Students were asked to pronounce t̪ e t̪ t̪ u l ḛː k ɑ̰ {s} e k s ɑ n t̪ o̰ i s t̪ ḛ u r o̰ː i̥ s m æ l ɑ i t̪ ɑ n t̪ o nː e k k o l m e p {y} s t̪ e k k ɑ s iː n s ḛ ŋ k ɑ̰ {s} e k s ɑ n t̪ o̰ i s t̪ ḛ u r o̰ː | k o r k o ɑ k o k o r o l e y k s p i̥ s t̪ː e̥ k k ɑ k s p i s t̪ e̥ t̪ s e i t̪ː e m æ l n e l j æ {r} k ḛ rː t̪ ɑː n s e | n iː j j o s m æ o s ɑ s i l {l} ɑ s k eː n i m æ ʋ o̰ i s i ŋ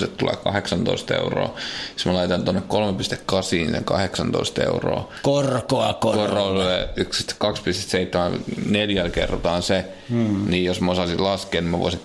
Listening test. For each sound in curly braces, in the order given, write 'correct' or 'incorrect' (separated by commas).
incorrect, incorrect, incorrect, incorrect, correct